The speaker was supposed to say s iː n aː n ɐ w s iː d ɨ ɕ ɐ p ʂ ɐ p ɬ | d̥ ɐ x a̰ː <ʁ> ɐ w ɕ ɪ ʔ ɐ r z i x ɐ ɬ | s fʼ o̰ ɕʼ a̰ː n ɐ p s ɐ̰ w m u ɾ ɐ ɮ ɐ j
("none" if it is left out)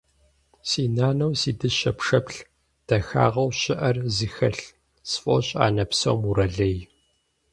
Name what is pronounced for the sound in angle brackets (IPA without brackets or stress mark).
ʁ